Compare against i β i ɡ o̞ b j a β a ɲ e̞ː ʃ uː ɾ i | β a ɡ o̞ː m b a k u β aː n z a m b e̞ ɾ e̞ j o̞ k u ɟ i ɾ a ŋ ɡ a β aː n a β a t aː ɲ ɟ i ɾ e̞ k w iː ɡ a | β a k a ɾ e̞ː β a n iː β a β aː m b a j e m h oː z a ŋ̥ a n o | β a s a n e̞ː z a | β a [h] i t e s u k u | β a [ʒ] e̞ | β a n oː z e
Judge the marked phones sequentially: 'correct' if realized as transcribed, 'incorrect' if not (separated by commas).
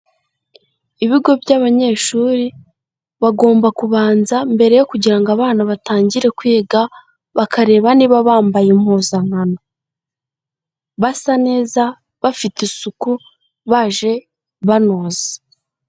incorrect, correct